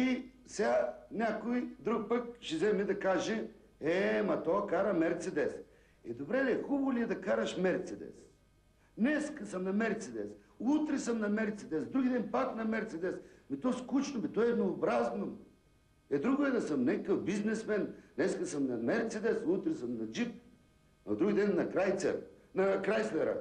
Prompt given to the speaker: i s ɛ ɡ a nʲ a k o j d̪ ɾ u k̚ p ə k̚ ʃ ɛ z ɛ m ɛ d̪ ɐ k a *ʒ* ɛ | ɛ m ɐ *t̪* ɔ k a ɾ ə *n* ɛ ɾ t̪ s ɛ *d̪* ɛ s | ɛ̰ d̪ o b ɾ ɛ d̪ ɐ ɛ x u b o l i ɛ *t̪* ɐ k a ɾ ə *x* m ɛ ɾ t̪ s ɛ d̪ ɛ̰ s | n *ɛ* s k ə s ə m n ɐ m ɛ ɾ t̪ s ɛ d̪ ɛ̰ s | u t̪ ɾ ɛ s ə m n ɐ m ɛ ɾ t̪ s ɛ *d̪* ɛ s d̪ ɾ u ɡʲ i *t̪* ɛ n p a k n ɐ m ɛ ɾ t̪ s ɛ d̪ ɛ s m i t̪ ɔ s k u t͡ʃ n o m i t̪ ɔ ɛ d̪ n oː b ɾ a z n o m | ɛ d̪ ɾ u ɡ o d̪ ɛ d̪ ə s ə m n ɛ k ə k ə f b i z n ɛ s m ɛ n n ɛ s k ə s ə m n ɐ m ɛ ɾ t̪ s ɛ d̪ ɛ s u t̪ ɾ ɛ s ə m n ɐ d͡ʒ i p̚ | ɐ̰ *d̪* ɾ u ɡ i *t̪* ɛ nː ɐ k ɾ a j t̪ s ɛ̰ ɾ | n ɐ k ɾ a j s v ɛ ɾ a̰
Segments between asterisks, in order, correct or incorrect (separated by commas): correct, correct, incorrect, correct, incorrect, incorrect, correct, correct, incorrect, correct, incorrect